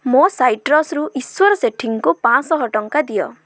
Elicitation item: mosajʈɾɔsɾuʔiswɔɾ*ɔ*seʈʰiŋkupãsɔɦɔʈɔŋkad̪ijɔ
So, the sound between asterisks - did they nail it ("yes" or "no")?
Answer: yes